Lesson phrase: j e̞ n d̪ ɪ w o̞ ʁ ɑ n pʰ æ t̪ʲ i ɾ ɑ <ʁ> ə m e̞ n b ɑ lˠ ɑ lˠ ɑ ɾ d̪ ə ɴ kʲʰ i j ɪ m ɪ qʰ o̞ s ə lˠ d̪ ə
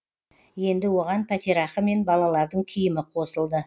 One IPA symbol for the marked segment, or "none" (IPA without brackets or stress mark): χ